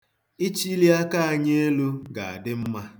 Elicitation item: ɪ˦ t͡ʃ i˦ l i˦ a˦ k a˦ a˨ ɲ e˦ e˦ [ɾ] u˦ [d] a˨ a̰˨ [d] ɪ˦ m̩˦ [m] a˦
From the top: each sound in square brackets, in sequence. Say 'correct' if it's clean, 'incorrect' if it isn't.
incorrect: l, incorrect: ɡ, correct, correct

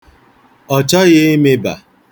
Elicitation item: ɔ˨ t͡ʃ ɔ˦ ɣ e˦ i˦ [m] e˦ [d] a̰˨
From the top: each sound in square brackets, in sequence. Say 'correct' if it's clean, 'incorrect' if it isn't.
correct, incorrect: b

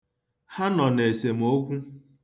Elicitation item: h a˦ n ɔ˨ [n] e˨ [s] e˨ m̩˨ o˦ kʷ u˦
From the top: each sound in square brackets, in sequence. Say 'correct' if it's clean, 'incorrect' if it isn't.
correct, correct

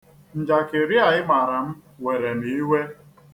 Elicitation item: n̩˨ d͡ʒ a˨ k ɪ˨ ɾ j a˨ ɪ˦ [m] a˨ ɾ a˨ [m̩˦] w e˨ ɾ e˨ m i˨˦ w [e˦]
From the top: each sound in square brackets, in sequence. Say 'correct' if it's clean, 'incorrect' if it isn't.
correct, correct, correct

